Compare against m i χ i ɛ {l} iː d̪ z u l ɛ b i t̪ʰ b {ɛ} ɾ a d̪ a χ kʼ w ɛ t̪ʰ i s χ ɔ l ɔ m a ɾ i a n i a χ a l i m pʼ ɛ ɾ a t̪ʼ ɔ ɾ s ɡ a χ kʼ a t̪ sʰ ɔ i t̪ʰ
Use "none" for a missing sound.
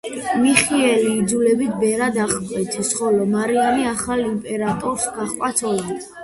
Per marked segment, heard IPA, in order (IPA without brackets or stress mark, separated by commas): l, ɛ